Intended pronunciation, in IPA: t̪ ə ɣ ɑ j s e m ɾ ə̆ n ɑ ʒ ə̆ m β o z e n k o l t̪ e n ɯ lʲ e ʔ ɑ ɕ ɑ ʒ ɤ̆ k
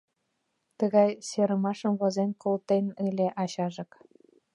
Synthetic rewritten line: t̪ ə ɣ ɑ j s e ɾ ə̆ m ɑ ʃ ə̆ m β o z e n k o l t̪ e n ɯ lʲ e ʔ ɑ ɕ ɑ ʒ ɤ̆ k